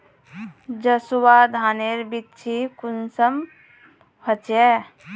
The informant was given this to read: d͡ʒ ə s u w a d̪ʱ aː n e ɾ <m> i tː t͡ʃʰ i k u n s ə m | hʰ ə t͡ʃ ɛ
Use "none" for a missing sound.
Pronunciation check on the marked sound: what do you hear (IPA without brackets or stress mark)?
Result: b